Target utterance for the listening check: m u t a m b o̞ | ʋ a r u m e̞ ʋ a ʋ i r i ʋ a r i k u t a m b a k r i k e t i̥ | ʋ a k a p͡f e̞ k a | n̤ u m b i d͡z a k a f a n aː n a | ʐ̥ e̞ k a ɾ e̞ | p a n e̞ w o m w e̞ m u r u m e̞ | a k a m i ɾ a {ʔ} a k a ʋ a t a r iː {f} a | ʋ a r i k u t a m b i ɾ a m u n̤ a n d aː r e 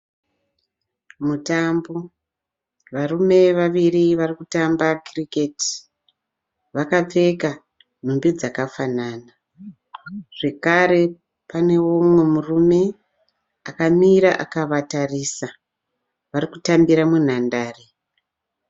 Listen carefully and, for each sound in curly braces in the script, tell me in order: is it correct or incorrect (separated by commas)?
correct, incorrect